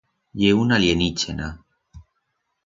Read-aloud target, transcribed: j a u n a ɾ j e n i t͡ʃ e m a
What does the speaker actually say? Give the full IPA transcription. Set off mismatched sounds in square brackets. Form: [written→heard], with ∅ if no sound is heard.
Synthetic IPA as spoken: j [a→e] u n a [ɾ→l] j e n i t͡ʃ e [m→n] a